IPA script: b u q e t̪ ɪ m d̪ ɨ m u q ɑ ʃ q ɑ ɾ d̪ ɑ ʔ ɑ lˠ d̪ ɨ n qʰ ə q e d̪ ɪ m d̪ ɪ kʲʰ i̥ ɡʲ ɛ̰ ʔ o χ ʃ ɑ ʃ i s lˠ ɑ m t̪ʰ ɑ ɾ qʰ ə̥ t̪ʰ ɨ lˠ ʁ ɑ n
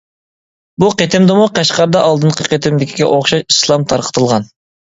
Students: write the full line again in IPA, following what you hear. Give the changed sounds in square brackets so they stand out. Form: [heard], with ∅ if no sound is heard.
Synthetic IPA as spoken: b u q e t̪ ɪ m d̪ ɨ m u q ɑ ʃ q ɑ ɾ d̪ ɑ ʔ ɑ lˠ d̪ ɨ n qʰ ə q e [t̪] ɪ m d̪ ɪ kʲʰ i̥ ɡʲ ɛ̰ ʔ o χ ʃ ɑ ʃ i s lˠ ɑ m t̪ʰ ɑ ɾ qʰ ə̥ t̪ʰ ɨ lˠ ʁ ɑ n